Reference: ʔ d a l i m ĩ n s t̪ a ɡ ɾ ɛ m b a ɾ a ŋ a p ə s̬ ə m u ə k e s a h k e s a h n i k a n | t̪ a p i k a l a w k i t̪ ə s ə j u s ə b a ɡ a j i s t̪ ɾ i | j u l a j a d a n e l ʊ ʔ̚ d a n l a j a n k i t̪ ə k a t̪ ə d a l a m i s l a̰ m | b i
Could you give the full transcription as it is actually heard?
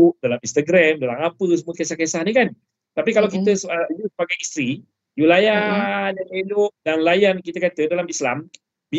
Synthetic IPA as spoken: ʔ d a l a m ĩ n s t̪ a ɡ ɾ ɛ m d a l a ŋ a p ə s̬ ə m u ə k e s a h k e s a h n i k a n | t̪ a p i k a l a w k i t̪ ə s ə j u s ə b a ɡ a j i s t̪ ɾ i | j u l a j a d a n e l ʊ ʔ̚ d a n l a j a n k i t̪ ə k a t̪ ə d a l a m i s l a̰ m | b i